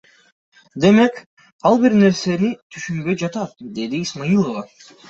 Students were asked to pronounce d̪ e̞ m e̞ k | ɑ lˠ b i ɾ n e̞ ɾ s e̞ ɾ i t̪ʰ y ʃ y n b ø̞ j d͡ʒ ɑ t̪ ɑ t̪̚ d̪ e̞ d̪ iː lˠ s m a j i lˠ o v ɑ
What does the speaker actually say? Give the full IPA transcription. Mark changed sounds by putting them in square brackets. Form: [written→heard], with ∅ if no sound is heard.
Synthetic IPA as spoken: d̪ e̞ m e̞ k | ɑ lˠ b i ɾ n e̞ ɾ s e̞ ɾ i t̪ʰ y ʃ y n b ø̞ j d͡ʒ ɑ t̪ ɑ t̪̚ d̪ e̞ d̪ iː [lˠ→∅] s m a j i lˠ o v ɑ